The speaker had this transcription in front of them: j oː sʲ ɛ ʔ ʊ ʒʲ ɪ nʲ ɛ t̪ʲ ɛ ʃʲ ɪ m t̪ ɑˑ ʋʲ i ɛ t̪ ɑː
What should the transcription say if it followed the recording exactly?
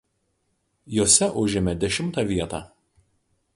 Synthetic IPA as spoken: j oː sʲ ɛ ʔ ʊ ʒʲ ɪ mʲ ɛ d̪ʲ ɛ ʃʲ ɪ m t̪ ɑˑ ʋʲ i ɛ t̪ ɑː